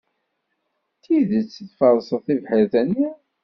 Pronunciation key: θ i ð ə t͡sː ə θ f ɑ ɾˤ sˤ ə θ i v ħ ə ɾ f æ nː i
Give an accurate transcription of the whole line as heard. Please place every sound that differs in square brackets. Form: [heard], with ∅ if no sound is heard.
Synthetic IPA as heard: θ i ð ə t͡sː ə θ f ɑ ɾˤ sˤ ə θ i v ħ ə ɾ [θ] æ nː i